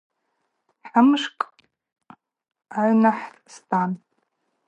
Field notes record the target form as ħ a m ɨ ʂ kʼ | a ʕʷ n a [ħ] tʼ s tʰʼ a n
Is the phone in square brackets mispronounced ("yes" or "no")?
no